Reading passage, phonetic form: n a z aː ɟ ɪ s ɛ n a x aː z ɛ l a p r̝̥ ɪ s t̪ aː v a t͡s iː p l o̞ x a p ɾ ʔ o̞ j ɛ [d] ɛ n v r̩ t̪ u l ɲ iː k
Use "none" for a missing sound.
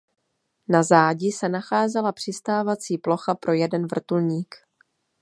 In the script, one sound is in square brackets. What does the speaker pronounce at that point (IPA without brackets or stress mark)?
d